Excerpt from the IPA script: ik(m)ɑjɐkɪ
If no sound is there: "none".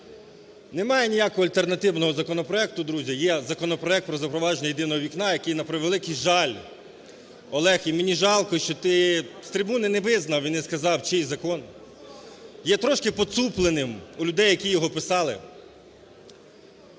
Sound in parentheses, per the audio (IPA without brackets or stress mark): n